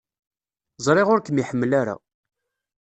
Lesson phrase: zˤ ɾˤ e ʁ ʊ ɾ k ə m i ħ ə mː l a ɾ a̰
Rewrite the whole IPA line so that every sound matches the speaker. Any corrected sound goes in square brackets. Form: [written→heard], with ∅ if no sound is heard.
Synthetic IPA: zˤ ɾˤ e ʁ ʊ ɾ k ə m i ħ ə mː l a ɾ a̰